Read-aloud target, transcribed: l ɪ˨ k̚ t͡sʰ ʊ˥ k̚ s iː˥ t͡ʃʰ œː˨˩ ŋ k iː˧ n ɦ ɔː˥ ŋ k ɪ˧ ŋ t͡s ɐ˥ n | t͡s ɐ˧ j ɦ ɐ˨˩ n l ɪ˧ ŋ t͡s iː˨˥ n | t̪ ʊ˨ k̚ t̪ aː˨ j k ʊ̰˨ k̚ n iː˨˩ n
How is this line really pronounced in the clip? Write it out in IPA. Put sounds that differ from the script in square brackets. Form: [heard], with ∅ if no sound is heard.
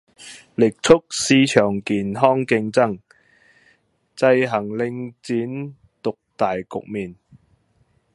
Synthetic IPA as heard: l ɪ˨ k̚ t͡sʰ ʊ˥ k̚ s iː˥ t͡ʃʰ œː˨˩ ŋ k [iː˨˩] n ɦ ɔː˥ ŋ k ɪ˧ ŋ t͡s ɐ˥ [ŋ] | t͡s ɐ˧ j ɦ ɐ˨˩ [ŋ] l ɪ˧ ŋ t͡s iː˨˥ n | t̪ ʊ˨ k̚ t̪ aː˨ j k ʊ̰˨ k̚ [m] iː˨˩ n